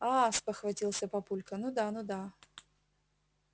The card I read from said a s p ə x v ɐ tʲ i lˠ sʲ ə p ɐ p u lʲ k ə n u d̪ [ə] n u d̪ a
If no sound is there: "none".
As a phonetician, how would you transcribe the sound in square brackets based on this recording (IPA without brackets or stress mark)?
a